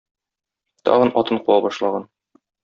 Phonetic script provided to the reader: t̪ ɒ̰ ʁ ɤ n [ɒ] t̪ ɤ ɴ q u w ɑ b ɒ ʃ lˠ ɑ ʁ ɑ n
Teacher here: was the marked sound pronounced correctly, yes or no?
yes